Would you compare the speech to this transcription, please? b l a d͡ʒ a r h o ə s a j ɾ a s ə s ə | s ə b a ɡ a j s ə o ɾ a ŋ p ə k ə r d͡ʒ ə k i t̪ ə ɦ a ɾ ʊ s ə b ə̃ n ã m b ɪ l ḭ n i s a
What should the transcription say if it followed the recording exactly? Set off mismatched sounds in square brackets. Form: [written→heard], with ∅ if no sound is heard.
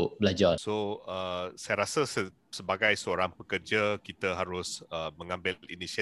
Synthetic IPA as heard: b l a d͡ʒ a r [h→s] o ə s a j ɾ a s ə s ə | s ə b a ɡ a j s ə o ɾ a ŋ p ə k ə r d͡ʒ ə k i t̪ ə ɦ a ɾ ʊ s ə [b→m] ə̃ [n→ŋ] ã m b ɪ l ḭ n i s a